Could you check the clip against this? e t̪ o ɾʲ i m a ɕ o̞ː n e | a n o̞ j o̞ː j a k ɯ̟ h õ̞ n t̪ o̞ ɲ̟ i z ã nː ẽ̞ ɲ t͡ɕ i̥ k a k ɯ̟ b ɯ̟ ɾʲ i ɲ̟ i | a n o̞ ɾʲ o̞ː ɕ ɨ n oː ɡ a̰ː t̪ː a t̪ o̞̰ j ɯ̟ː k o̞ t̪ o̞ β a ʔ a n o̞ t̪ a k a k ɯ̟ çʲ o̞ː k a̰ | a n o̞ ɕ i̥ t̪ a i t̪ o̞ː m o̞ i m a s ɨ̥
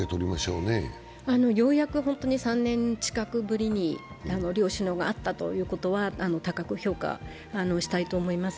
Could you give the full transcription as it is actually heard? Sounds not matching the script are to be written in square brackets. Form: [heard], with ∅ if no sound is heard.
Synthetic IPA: e t̪ o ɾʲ i m a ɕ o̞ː n e | a n o̞ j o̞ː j a k ɯ̟ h õ̞ n t̪ o̞ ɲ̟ i [s] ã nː ẽ̞ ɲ t͡ɕ i̥ k a k ɯ̟ b ɯ̟ ɾʲ i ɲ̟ i | a n o̞ ɾʲ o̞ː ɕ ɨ n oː ɡ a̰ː t̪ː a t̪ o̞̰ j ɯ̟ː k o̞ t̪ o̞ β a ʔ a n o̞ t̪ a k a k ɯ̟ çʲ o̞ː k a̰ | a n o̞ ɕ i̥ t̪ a i t̪ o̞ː m o̞ i m a s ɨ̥

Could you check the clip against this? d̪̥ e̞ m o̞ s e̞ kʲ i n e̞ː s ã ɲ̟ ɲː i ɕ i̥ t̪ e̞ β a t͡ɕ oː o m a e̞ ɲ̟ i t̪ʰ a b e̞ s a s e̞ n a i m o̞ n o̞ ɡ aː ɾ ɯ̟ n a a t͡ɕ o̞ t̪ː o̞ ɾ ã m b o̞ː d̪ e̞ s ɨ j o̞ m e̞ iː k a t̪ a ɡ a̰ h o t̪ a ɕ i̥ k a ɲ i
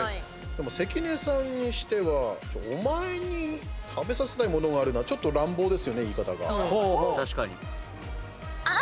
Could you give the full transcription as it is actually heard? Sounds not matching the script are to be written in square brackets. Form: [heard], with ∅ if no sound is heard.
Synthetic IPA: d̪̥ e̞ m o̞ s e̞ kʲ i n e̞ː s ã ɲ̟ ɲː i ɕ i̥ t̪ e̞ β a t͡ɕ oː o m a e̞ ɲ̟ i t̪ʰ a b e̞ s a s e̞ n a i m o̞ n o̞ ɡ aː ɾ ɯ̟ n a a t͡ɕ o̞ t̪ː o̞ ɾ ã m b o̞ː d̪ e̞ s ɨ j o̞ [n] e̞ iː k a t̪ a ɡ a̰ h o t̪ a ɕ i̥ k a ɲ i

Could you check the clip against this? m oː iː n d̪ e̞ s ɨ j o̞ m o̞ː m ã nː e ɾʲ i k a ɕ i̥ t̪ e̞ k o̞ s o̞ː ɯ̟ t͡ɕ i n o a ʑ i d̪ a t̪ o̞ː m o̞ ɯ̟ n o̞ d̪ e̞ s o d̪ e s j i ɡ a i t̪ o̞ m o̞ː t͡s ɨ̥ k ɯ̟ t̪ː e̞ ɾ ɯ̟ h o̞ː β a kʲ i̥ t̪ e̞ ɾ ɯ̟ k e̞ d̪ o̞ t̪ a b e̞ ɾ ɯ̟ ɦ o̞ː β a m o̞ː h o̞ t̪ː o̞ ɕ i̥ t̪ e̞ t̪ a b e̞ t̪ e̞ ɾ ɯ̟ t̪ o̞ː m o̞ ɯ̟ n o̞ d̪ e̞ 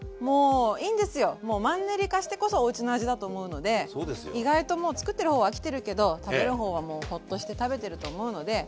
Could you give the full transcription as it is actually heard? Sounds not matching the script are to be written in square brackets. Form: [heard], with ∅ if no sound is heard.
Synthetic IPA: m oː iː n d̪ e̞ s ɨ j o̞ m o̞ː m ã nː e ɾʲ i k a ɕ i̥ t̪ e̞ k o̞ s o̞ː ɯ̟ t͡ɕ i n o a ʑ i d̪ a t̪ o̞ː m o̞ ɯ̟ n o̞ d̪ e̞ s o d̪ e s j i ɡ a i t̪ o̞ m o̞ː t͡s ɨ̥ k ɯ̟ t̪ː e̞ ɾ ɯ̟ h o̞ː β a kʲ i̥ t̪ e̞ ɾ ɯ̟ k e̞ d̪ o̞ t̪ a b e̞ ɾ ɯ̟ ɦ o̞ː β a m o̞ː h o̞ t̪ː o̞ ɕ i̥ t̪ e̞ t̪ a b e̞ t̪ e̞ ɾ ɯ̟ t̪ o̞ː m o̞ ɯ̟ n o̞ d̪ e̞

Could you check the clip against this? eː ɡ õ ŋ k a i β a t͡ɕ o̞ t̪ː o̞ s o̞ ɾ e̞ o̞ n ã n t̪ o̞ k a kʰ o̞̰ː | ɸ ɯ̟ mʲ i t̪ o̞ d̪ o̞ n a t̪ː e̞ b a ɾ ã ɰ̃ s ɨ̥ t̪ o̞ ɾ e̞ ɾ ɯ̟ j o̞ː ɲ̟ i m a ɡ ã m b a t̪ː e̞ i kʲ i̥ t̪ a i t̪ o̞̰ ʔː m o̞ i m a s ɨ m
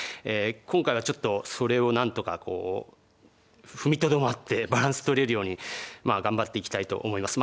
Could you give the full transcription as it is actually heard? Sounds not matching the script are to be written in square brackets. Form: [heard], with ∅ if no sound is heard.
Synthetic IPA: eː [k] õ ŋ k a i β a t͡ɕ o̞ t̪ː o̞ s o̞ ɾ e̞ o̞ n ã n t̪ o̞ k a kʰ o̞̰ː | ɸ ɯ̟ mʲ i t̪ o̞ d̪ o̞ [m] a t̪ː e̞ b a ɾ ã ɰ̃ s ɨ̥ t̪ o̞ ɾ e̞ ɾ ɯ̟ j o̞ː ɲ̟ i m a ɡ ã m b a t̪ː e̞ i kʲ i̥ t̪ a i t̪ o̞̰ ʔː m o̞ i m a s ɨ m

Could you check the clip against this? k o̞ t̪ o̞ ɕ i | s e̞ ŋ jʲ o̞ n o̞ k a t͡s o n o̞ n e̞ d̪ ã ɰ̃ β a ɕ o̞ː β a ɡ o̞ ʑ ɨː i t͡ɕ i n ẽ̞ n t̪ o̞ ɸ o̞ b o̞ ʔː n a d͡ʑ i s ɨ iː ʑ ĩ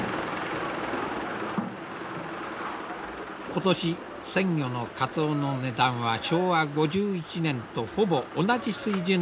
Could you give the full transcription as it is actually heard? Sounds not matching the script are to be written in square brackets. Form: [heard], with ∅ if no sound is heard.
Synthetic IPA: k o̞ t̪ o̞ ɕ i | s [ẽ̞] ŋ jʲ o̞ n o̞ k a t͡s o n o̞ n e̞ d̪ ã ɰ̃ β a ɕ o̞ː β a ɡ o̞ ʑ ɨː i t͡ɕ i n ẽ̞ n t̪ o̞ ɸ o̞ b o̞ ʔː n a d͡ʑ i s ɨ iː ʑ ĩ

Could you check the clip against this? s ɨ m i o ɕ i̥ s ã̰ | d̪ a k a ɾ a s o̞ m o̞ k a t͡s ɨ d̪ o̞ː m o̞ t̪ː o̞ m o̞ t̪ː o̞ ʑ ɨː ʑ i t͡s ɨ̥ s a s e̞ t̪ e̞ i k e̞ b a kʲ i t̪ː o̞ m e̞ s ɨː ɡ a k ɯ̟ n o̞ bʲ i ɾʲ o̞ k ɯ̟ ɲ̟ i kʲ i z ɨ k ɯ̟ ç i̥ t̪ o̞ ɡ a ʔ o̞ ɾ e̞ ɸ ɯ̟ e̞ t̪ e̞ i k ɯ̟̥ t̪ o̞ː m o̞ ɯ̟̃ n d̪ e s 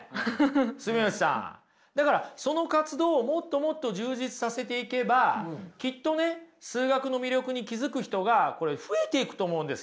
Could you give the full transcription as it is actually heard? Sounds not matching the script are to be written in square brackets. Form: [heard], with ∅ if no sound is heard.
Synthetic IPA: s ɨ m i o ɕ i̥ s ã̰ | d̪ a k a ɾ a s o̞ [n] o̞ k a t͡s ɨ d̪ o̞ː m o̞ t̪ː o̞ m o̞ t̪ː o̞ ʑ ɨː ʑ i t͡s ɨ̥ s a s e̞ t̪ e̞ i k e̞ b a kʲ i t̪ː o̞ [n] e̞ s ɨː ɡ a k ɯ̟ n o̞ [mʲ] i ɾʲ o̞ k ɯ̟ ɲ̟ i kʲ i z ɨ k ɯ̟ ç i̥ t̪ o̞ ɡ a [k] o̞ ɾ e̞ ɸ ɯ̟ e̞ t̪ e̞ i k ɯ̟̥ t̪ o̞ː m o̞ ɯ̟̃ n d̪ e s

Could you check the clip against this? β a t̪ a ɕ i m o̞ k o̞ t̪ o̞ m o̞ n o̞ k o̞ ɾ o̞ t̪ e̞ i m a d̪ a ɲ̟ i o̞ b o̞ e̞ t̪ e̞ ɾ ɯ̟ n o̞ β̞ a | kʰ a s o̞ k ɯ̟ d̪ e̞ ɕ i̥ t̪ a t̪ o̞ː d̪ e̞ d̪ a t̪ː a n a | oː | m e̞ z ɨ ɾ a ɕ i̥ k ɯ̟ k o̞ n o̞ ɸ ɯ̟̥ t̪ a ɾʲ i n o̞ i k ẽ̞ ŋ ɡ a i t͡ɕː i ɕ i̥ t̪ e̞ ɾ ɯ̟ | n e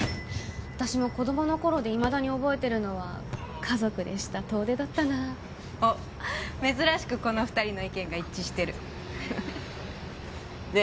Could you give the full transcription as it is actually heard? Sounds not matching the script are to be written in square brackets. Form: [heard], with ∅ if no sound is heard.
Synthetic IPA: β a t̪ a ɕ i m o̞ k o̞ [d̪] o̞ m o̞ n o̞ k o̞ ɾ o̞ [d̪] e̞ i m a d̪ a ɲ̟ i o̞ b o̞ e̞ t̪ e̞ ɾ ɯ̟ n o̞ β̞ a | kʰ a [z] o̞ k ɯ̟ d̪ e̞ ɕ i̥ t̪ a t̪ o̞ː d̪ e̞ d̪ a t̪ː a n a | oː | m e̞ z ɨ ɾ a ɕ i̥ k ɯ̟ k o̞ n o̞ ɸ ɯ̟̥ t̪ a ɾʲ i n o̞ i k ẽ̞ ŋ ɡ a i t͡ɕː i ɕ i̥ t̪ e̞ ɾ ɯ̟ | n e

